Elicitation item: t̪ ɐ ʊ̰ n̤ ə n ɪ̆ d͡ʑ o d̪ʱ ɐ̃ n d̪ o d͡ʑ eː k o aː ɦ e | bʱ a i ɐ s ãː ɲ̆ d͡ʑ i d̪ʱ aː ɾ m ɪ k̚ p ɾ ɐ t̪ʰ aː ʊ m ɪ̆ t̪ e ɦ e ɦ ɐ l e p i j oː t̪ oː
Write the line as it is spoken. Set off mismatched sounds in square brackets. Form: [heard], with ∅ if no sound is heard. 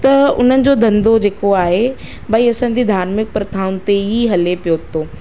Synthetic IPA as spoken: t̪ ɐ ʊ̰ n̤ ə n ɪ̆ d͡ʑ o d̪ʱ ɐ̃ n d̪ o d͡ʑ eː k o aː ɦ e | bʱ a i ɐ s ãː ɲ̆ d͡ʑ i d̪ʱ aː ɾ m ɪ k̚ p ɾ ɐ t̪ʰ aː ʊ [n] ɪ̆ t̪ e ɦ [i] ɦ ɐ l e p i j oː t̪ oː